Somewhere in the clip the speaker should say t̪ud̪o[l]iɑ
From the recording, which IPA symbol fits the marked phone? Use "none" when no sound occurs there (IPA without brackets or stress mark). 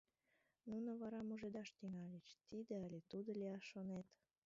l